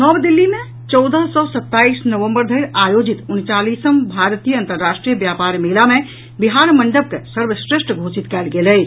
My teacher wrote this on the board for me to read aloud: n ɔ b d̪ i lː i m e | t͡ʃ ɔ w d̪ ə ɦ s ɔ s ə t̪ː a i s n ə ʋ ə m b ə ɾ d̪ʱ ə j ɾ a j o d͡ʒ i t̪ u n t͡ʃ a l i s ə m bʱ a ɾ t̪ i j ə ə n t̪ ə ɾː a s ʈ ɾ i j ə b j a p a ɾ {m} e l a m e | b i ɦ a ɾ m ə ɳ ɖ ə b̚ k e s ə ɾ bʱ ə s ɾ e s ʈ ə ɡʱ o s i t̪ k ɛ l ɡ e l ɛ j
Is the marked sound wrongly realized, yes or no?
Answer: no